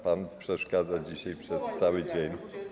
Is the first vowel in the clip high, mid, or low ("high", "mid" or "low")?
low